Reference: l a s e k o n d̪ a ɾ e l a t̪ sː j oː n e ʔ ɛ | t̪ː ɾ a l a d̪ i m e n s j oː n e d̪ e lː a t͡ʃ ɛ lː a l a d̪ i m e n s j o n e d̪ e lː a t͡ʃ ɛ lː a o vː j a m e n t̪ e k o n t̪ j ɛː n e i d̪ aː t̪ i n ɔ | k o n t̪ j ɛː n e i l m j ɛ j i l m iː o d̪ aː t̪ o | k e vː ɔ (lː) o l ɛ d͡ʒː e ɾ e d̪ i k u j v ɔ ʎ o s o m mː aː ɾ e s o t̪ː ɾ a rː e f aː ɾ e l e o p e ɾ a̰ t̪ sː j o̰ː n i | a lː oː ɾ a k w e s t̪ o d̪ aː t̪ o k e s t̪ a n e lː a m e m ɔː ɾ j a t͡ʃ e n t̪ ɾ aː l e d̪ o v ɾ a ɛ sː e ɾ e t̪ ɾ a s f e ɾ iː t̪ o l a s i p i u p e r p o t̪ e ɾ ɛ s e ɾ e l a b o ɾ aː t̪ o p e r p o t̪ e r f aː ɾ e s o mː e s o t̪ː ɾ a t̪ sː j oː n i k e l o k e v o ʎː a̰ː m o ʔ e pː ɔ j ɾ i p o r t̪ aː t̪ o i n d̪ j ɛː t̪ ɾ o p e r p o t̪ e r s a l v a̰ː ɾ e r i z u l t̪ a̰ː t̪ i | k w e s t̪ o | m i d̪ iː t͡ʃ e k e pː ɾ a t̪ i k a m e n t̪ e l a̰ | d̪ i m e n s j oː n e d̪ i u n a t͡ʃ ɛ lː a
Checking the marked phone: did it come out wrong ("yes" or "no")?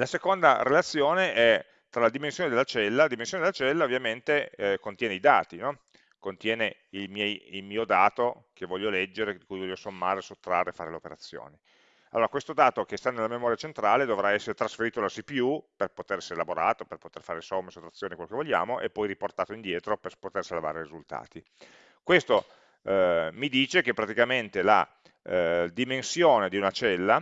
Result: yes